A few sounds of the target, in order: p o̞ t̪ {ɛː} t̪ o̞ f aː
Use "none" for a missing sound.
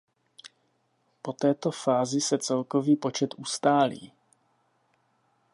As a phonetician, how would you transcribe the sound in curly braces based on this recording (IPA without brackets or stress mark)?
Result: ɛː